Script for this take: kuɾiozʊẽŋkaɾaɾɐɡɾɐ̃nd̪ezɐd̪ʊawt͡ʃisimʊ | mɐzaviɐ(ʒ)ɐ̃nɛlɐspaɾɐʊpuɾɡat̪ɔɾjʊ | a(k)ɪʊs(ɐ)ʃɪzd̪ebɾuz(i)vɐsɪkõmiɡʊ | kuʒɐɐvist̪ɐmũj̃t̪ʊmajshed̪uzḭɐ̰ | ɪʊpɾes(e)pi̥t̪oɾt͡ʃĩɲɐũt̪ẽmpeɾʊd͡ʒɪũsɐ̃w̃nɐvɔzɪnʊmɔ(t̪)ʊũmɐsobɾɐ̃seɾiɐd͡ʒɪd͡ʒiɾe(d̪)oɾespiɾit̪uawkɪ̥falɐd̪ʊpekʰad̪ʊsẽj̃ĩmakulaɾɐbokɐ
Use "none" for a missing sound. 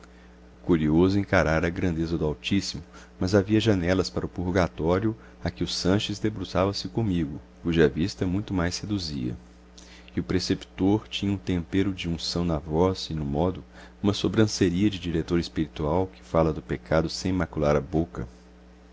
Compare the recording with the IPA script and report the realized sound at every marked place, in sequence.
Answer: ʒ, k, ɐ̃, a, e, d̪, t̪

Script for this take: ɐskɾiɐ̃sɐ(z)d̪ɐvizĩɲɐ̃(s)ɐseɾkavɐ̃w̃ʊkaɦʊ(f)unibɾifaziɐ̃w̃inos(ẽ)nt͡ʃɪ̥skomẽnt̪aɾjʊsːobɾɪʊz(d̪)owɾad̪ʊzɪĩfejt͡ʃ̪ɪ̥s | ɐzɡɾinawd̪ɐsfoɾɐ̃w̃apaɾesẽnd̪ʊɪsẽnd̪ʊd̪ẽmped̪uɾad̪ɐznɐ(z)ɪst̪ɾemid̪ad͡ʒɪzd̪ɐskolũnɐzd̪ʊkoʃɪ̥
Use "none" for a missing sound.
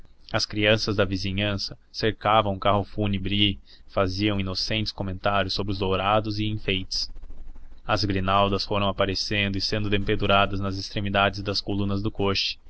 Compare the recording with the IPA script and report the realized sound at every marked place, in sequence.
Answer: z, s, f, ẽ, d̪, z

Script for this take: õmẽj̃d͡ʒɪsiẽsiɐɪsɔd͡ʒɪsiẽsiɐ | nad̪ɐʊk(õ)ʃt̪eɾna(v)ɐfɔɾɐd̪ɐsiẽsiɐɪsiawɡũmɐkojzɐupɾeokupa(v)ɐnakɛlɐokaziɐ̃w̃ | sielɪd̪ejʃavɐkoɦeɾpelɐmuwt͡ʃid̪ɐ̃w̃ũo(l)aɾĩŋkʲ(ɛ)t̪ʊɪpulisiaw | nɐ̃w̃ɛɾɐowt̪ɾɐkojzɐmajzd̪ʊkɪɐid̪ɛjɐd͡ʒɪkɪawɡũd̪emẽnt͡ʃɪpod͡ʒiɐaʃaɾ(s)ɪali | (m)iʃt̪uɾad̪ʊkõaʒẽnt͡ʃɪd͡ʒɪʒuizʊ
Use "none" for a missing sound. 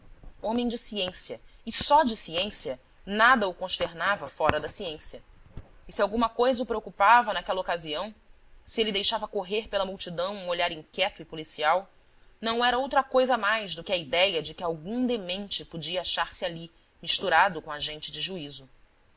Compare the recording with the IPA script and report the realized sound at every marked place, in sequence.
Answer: õ, v, v, ʎ, ɛ, s, m

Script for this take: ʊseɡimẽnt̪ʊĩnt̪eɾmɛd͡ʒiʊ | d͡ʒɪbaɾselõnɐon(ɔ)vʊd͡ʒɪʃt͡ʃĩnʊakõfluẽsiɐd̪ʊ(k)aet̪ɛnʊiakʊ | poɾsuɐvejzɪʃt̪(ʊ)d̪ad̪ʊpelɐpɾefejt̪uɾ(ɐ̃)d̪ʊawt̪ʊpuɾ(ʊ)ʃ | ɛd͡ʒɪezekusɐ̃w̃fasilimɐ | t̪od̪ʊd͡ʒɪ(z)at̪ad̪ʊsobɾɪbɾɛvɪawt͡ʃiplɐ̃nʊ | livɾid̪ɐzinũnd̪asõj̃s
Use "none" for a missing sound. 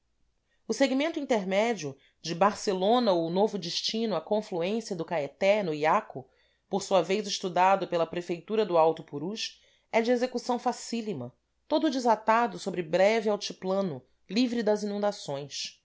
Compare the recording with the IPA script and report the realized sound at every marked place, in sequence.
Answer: o, k, u, ɐ, u, z

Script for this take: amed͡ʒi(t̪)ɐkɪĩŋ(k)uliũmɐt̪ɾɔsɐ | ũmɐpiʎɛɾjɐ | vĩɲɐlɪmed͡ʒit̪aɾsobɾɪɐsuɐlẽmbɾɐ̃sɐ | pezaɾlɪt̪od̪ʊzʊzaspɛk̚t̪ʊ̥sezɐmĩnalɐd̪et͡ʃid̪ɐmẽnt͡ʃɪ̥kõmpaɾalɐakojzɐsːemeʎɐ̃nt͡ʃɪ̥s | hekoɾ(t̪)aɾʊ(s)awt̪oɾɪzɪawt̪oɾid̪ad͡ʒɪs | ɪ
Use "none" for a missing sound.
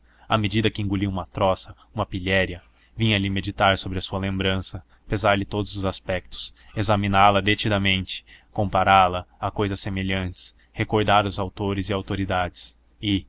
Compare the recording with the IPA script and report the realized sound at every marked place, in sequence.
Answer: d̪, ɡ, d̪, z

